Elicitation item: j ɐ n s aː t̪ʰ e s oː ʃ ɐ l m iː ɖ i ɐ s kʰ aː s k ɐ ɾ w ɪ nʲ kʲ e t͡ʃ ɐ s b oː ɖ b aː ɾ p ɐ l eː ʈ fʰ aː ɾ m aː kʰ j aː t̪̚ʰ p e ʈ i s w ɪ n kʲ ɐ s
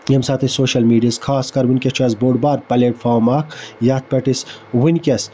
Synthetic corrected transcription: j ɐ m s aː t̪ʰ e s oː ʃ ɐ l m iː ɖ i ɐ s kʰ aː s k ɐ ɾ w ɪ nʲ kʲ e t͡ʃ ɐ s b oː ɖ b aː ɾ p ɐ l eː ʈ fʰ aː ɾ m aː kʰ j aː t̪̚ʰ p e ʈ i s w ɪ n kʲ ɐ s